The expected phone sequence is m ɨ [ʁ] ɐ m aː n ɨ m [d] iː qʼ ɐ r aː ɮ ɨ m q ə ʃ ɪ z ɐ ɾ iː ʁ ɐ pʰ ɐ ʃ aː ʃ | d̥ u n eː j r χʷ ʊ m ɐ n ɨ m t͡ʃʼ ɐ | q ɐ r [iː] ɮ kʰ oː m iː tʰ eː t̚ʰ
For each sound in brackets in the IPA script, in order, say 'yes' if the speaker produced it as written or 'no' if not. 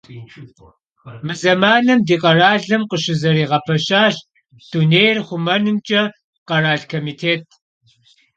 no, yes, no

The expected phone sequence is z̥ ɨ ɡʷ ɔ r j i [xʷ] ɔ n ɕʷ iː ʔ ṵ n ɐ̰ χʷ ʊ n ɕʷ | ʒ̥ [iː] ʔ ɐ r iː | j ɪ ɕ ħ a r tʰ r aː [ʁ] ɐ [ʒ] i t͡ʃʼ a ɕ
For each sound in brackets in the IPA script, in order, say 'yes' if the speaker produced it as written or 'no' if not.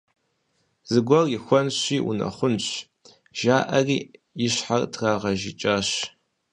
yes, no, yes, yes

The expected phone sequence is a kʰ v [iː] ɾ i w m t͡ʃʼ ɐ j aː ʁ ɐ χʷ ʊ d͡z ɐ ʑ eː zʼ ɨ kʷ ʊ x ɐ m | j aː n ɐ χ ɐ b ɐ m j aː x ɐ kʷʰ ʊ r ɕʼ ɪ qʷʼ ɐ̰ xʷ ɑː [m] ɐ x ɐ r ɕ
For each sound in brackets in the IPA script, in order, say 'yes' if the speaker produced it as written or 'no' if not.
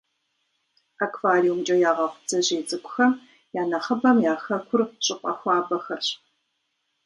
no, no

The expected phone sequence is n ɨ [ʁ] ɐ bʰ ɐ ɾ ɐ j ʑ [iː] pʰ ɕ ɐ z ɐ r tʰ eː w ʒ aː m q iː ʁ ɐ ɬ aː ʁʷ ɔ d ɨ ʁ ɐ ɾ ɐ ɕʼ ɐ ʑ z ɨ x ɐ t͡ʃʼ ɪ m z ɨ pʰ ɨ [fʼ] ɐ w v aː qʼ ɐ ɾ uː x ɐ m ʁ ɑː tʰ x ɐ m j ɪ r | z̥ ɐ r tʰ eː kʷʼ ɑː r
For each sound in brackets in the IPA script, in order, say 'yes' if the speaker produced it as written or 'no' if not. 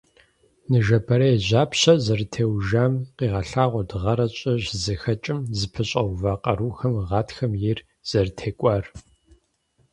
no, no, no

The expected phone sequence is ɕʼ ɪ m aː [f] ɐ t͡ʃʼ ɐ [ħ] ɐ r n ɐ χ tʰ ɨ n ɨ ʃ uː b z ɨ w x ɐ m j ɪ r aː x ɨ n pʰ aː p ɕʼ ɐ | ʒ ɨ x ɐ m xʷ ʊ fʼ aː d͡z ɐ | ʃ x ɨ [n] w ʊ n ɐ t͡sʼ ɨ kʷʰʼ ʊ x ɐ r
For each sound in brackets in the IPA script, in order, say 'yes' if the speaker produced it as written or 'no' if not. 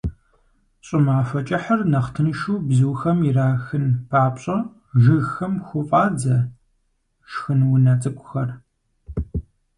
yes, yes, yes

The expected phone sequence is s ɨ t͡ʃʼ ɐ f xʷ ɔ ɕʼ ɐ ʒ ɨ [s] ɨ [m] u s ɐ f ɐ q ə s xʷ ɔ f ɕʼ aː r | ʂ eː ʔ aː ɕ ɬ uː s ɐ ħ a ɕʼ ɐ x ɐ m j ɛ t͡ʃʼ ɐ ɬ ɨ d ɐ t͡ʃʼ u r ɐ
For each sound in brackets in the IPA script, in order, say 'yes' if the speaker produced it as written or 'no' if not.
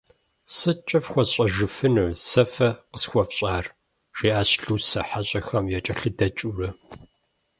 no, no

